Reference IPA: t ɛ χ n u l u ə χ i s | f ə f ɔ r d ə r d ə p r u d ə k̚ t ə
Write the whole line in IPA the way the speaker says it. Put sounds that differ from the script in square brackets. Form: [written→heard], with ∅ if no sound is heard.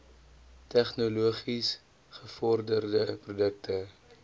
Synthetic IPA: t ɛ χ n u l u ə χ i s | [f→χ] ə f ɔ r d ə r d ə p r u d ə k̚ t ə